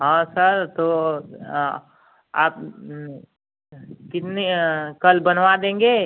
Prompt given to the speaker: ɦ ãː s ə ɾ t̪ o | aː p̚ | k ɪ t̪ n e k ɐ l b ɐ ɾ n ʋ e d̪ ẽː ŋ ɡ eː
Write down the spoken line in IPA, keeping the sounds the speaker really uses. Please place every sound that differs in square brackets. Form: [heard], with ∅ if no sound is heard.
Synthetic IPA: ɦ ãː s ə ɾ t̪ o | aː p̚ | k ɪ t̪ n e k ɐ l b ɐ [∅] n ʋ [a] d̪ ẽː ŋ ɡ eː